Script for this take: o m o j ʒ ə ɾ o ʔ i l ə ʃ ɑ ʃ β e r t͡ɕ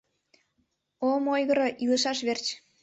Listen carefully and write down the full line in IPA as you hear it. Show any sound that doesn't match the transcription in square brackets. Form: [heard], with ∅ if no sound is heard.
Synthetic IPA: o m o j [ɣ] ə ɾ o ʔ i l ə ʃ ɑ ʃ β e r t͡ɕ